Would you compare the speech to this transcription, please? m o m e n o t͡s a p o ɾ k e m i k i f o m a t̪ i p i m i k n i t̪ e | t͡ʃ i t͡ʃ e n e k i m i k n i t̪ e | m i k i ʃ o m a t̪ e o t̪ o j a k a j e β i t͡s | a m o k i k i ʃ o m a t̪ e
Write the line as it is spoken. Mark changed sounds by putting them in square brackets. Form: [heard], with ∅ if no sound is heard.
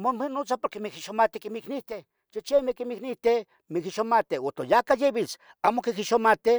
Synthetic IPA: m o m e n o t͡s a p o ɾ k e m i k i [ʃ] o m a t̪ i [k] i m i k n i t̪ e | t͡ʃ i t͡ʃ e [m] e k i m i k n i t̪ e | m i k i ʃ o m a t̪ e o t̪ o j a k a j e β i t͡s | a m o k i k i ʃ o m a t̪ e

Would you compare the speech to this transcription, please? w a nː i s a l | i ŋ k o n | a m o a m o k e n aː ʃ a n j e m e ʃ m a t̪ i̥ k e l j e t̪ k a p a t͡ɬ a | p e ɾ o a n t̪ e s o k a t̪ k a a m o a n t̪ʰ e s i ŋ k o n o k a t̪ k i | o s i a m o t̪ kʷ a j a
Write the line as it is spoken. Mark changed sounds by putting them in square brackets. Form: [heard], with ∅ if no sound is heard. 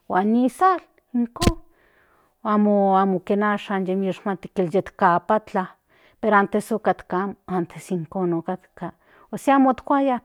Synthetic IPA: w a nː i s a l | i ŋ k o n | a m o a m o k e n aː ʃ a n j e m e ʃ m a t̪ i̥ k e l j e t̪ k a p a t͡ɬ a | p e ɾ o a n t̪ e s o k a t̪ k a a m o a n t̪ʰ e s i ŋ k o n o k a t̪ k [a] | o s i a m o t̪ kʷ a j a

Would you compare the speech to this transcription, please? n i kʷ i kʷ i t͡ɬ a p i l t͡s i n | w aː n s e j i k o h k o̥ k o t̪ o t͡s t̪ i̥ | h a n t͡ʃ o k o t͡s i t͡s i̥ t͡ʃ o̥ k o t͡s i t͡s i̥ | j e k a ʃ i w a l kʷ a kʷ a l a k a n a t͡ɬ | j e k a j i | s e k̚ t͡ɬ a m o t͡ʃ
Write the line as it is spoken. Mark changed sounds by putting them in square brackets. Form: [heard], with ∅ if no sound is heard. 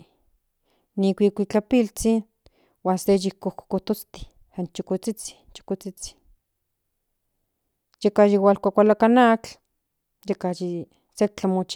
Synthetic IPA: n i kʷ i kʷ i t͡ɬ a p i l t͡s i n | w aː n s e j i k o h k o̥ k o t̪ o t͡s t̪ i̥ | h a n t͡ʃ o k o t͡s i t͡s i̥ t͡ʃ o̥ k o t͡s i t͡s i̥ | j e k a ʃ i w a l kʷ a kʷ a l a k a n a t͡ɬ | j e k a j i | s e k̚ t͡ɬ a m o t͡ʃ

